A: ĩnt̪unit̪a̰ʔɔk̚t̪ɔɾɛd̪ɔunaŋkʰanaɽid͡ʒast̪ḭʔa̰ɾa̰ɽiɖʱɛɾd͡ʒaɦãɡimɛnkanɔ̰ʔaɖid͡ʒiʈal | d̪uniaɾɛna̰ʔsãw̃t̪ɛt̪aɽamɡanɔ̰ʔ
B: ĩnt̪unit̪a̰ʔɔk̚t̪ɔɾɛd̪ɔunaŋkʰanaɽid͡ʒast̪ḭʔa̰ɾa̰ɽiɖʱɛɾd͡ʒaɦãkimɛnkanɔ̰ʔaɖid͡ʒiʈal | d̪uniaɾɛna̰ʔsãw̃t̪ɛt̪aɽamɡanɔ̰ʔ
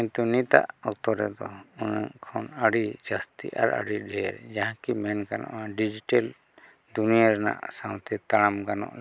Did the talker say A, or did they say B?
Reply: B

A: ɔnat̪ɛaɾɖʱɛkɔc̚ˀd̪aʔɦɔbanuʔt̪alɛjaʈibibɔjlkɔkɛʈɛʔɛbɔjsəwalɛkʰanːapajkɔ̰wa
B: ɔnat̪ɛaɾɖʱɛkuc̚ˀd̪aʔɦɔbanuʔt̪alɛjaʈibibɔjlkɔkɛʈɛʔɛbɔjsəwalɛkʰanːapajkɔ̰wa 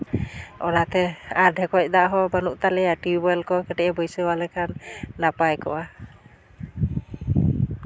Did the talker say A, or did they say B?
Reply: A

